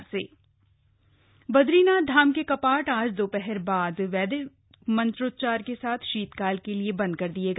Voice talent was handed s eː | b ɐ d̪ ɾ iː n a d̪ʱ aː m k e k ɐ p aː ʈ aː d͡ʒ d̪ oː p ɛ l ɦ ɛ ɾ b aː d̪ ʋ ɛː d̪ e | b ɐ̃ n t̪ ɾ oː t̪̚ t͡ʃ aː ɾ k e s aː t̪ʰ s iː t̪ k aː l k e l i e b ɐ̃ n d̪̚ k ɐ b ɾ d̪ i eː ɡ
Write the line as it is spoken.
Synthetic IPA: s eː | b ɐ d̪ ɾ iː n a d̪ʱ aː m k e k ɐ p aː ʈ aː d͡ʒ d̪ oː p ɛ ɦ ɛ ɾ b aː d̪ ʋ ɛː d̪ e | m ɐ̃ n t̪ ɾ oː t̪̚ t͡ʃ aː ɾ k e s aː t̪ʰ ʃ iː t̪ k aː l k e l i e b ɐ̃ n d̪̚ k ɐ ɾ d̪ i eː ɡ

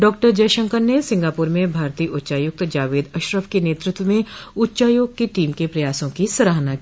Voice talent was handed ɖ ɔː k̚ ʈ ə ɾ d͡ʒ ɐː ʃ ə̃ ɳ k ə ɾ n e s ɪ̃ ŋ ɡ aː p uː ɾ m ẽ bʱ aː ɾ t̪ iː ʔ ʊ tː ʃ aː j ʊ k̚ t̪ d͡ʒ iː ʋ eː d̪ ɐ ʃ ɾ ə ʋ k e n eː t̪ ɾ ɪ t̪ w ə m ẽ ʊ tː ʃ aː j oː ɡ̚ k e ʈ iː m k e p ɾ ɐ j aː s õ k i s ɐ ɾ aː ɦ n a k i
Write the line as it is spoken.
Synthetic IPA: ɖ ɔː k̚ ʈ ə ɾ d͡ʒ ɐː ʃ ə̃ ŋ k ə ɾ n e s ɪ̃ ŋ ɡ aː p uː ɾ m ẽ bʱ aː ɾ t̪ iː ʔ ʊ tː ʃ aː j ʊ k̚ t̪ d͡ʒ aː ʋ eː d̪ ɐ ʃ ɾ ə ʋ k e n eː t̪ ɾ ɪ t̪ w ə m ẽ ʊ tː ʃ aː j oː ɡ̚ k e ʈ iː m k e p ɾ ɐ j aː s õ k i s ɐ ɾ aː ɦ n a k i

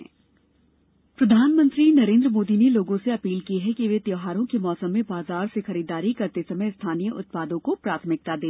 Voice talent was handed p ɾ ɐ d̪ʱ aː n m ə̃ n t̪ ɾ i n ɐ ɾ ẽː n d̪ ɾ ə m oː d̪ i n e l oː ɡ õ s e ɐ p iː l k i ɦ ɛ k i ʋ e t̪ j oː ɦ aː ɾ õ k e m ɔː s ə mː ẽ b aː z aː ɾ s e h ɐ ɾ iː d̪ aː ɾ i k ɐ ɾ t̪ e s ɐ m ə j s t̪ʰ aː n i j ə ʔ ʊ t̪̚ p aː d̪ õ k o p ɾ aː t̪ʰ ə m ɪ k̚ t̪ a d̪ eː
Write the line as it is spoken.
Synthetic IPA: p ɾ ɐ d̪ʱ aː n m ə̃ n t̪ ɾ i n ɐ ɾ ẽː n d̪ ɾ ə m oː d̪ i n e l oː ɡ õ s e ɐ p iː l k i ɦ ɛ k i ʋ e t̪ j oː ɦ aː ɾ õ k e m ɔː s ə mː ẽ b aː z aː ɾ s e x ɐ ɾ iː d̪ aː ɾ i k ɐ ɾ t̪ e s ɐ m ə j s t̪ʰ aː n i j ə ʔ ʊ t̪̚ p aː d̪ õ k o p ɾ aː t̪ʰ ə m ɪ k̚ t̪ a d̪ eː

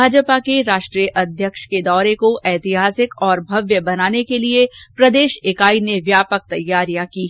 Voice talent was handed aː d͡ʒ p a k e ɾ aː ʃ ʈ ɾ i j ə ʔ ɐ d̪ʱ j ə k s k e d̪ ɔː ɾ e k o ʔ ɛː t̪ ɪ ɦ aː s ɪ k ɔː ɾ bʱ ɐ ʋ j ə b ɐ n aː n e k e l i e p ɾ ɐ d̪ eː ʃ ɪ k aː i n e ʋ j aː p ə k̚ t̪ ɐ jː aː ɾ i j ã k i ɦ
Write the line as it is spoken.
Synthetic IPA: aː d͡ʒ p a k e ɾ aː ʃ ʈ ɾ i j ə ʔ ɐ d̪ʱ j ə k ʃ k e d̪ ɔː ɾ e k o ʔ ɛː t̪ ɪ ɦ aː s ɪ k ɔː ɾ bʱ ɐ ʋ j ə b ɐ n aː n e k e l i e p ɾ ɐ d̪ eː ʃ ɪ k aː i n e ʋ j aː p ə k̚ t̪ ɐ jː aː ɾ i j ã k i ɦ

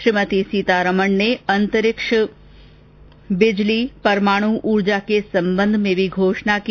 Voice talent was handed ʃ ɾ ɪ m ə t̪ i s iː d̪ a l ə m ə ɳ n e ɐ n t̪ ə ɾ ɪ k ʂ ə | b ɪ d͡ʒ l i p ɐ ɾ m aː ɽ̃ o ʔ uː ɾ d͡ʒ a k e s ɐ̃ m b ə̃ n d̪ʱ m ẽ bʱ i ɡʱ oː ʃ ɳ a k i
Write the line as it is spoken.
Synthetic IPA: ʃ ɾ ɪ m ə t̪ i s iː t̪ a ɾ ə m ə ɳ n e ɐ n t̪ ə ɾ ɪ k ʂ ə | b ɪ d͡ʒ l i p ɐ ɾ m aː ɽ̃ u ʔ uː ɾ d͡ʒ a k e s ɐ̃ m b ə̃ n d̪ʱ m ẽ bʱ i ɡʱ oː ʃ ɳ a k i

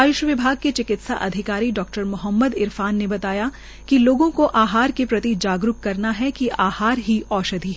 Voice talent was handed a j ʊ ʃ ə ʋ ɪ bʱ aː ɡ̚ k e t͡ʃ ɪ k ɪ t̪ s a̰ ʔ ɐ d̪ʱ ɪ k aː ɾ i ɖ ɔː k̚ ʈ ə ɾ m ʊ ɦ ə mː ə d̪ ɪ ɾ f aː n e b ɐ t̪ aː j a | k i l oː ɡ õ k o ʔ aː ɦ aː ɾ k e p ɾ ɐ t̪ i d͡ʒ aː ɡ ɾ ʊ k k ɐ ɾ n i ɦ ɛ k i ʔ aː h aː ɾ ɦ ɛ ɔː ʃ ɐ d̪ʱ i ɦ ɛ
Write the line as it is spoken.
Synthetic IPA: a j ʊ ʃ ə ʋ ɪ bʱ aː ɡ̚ k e t͡ʃ ɪ k ɪ t̪ s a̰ ʔ ɐ d̪ʱ ɪ k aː ɾ i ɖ ɔː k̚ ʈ ə ɾ m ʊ ɦ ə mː ə d̪ ɪ ɾ f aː nː e b ɐ t̪ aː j a | k i l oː ɡ õ k o ʔ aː ɦ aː ɾ k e p ɾ ɐ t̪ i d͡ʒ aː ɡ ɾ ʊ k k ɐ ɾ n a ɦ ɛ k i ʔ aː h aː ɾ ɦ i ɔː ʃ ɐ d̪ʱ i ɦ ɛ

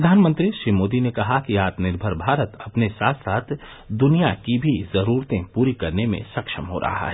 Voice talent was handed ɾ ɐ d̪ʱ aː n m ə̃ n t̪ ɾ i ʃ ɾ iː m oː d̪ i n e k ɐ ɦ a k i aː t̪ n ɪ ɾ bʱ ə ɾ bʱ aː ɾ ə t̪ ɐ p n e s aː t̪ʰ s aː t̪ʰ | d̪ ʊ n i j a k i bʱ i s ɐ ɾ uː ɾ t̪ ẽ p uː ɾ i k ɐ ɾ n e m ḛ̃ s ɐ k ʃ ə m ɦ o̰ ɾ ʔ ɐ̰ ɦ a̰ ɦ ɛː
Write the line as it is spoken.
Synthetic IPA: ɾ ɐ d̪ʱ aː n m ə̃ n t̪ ɾ i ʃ ɾ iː m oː d̪ i n e k ɐ ɦ a k i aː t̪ n ɪ ɾ bʱ ə ɾ bʱ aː ɾ ə t̪ ɐ p n e s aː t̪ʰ s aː t̪ʰ | d̪ ʊ n i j a k i bʱ i z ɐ ɾ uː ɾ t̪ ẽ p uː ɾ i k ɐ ɾ n e m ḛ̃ s ɐ k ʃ ə m ɦ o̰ ɾ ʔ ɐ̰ ɦ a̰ ɦ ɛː

